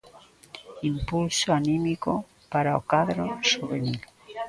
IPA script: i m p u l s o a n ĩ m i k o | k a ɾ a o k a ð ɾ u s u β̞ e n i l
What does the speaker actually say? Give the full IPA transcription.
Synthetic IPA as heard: i m p u l s o a n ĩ m i k o | p a ɾ a o k a ð ɾ o s u β̞ e n i l